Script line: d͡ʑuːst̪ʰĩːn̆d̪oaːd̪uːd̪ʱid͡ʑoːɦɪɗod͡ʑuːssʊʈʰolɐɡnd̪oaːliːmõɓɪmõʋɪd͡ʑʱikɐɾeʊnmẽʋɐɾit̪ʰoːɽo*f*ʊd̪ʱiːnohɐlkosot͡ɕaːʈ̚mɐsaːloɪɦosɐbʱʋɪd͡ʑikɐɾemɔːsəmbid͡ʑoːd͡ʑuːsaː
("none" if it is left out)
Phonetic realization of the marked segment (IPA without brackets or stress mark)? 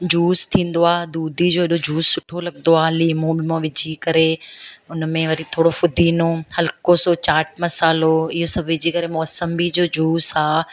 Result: f